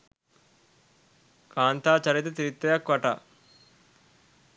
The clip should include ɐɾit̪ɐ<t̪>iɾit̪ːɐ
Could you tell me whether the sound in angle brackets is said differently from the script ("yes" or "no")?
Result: no